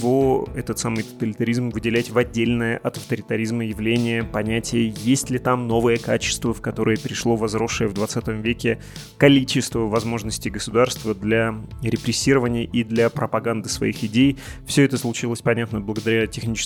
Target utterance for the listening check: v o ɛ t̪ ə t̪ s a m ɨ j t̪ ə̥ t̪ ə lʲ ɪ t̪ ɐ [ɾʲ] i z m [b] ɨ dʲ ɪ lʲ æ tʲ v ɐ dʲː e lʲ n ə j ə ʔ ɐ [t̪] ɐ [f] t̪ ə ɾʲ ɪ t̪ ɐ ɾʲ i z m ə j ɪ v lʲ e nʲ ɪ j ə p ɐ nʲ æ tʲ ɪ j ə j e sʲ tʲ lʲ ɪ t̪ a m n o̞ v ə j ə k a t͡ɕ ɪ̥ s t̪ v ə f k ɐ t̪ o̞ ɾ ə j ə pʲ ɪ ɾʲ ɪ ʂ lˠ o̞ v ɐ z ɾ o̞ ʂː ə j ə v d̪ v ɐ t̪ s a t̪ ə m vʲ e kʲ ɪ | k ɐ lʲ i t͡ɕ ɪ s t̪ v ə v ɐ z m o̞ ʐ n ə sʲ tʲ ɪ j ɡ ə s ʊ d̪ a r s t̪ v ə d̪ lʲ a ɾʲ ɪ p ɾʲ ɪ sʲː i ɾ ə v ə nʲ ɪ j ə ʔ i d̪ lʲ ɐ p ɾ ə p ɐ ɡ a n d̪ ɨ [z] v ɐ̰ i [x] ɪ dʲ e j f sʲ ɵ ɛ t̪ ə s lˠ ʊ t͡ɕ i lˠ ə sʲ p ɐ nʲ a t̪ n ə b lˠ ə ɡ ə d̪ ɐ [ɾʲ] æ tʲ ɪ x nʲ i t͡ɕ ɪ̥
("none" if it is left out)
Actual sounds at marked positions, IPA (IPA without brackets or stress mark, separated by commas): ɾʲ, v, t̪, f, s, x, ɾʲ